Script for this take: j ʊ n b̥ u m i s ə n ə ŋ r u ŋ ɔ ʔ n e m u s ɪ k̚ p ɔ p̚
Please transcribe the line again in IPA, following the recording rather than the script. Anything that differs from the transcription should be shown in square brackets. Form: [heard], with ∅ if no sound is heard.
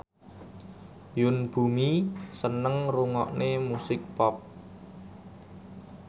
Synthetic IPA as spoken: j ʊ n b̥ u m i s ə n ə ŋ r u ŋ ɔ ʔ n e m u s ɪ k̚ p ɔ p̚